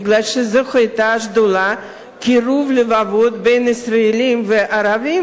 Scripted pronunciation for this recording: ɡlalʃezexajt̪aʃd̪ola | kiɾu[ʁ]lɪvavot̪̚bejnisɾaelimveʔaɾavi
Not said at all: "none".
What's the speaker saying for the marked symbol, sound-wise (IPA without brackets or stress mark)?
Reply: v